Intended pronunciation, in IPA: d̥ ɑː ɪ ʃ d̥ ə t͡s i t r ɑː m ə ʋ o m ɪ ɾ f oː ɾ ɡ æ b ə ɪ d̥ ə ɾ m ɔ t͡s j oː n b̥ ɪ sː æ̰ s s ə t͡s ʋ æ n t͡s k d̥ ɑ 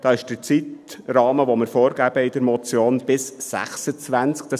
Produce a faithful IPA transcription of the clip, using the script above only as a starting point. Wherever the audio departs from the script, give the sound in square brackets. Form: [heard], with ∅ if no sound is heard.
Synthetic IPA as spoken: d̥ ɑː ɪ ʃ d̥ ə t͡s i t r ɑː m ə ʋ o m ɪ ɾ f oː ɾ ɡ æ b ə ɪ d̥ ə ɾ m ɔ t͡s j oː n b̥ ɪ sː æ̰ [χ] s ə t͡s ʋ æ n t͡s k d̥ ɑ